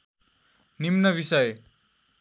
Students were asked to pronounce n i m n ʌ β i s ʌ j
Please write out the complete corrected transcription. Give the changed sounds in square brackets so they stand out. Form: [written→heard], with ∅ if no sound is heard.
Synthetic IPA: n i m n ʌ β i s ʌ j